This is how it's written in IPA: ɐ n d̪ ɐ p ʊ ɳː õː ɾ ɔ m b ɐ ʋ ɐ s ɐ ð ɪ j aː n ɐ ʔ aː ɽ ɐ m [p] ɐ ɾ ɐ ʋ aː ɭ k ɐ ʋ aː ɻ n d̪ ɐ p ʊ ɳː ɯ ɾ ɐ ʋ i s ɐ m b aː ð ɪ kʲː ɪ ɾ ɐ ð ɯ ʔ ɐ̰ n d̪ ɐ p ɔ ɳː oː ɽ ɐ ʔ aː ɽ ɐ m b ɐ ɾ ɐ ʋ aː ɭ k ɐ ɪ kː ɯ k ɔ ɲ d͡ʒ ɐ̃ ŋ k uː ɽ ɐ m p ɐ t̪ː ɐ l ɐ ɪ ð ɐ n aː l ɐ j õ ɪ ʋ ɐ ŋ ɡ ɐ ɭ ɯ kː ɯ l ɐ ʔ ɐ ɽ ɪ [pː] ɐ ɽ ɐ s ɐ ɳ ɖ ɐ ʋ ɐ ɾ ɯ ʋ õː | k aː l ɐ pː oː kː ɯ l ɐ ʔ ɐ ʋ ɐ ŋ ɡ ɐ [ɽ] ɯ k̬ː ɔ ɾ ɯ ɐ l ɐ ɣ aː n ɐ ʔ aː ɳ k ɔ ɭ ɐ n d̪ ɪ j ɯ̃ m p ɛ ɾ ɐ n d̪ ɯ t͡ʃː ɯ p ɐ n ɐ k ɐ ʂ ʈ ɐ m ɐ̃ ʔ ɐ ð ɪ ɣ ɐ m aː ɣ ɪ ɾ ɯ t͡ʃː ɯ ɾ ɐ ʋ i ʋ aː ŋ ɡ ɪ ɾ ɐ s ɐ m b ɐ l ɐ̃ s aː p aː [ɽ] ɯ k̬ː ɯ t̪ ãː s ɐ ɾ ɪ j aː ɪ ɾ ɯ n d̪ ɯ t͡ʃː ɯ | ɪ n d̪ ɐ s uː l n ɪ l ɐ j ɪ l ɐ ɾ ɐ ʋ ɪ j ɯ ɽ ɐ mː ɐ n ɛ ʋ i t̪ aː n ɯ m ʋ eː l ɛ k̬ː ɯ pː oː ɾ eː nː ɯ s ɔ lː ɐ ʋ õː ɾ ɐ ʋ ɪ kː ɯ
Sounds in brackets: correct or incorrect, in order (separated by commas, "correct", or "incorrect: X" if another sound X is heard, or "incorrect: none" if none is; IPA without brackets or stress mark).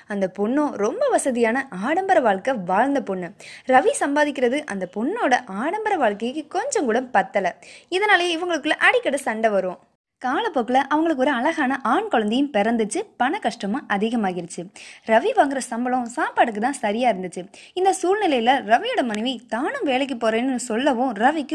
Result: incorrect: b, incorrect: kː, incorrect: ɭ, correct